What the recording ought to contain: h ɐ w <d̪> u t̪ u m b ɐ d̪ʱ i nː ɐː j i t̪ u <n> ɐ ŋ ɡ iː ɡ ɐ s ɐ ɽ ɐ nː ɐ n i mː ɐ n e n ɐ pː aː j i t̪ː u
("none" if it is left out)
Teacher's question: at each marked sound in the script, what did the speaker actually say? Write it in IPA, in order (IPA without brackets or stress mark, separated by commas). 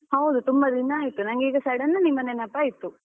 d̪, n